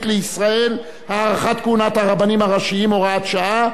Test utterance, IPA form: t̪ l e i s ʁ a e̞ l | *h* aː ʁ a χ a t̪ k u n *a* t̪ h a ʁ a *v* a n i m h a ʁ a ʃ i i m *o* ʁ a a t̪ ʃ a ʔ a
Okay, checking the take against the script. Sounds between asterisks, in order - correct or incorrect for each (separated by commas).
correct, correct, incorrect, correct